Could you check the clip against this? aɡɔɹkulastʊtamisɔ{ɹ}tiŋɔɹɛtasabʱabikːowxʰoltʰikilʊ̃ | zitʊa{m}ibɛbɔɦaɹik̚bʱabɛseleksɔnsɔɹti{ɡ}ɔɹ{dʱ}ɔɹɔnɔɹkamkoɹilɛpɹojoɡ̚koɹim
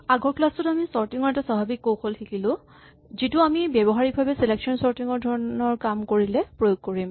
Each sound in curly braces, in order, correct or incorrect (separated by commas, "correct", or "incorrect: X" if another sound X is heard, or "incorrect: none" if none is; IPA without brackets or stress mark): correct, correct, incorrect: ŋ, correct